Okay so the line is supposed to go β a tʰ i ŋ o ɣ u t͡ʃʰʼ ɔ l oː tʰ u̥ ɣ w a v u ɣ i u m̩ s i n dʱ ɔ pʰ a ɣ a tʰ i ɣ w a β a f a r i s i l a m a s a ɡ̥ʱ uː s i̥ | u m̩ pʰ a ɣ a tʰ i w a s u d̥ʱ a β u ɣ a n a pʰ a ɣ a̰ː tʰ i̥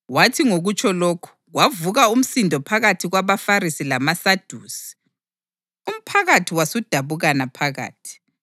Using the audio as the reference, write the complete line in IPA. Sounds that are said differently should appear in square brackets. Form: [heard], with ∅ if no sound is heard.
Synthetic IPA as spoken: [w] a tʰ i ŋ o ɣ u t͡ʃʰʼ ɔ l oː [kʰ] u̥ ɣ w a v u ɣ [a] u m̩ s i n dʱ ɔ pʰ a ɣ a tʰ i ɣ w a β a f a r i s i l a m a s a [d̥ʱ] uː s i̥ | u m̩ pʰ a ɣ a tʰ i w a s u d̥ʱ a β u ɣ a n a pʰ a ɣ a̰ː tʰ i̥